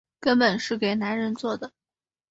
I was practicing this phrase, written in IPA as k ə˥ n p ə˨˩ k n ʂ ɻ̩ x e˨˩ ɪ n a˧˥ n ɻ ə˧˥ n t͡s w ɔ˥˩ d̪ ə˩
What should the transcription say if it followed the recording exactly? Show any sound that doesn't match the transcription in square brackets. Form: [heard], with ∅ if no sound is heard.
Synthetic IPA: k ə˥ n p ə˨˩ [∅] n ʂ ɻ̩ [k] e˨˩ ɪ n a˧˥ n ɻ ə˧˥ n t͡s w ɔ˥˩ d̪ ə˩